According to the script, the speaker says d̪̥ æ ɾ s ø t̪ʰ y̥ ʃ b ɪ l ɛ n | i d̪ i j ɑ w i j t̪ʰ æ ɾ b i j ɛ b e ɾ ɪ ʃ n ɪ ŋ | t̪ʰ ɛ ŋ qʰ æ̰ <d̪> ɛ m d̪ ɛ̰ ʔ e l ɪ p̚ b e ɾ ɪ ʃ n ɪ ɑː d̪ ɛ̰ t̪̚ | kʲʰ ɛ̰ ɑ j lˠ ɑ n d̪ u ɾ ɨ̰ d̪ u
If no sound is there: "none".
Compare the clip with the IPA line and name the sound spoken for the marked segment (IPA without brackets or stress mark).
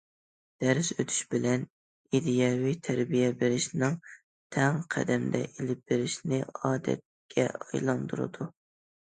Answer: d̪